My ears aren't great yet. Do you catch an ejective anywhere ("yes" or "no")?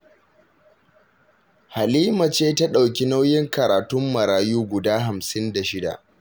no